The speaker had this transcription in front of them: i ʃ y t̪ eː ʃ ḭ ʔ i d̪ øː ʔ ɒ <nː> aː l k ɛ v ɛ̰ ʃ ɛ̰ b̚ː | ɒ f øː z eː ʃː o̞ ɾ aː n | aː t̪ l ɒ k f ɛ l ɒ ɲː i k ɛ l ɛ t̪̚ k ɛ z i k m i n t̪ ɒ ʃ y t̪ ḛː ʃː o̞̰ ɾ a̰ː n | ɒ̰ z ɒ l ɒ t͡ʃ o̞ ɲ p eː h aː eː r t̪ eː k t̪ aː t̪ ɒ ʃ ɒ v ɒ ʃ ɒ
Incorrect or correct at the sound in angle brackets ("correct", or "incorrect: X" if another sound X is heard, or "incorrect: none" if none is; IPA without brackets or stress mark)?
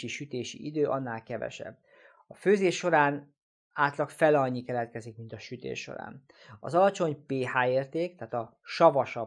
correct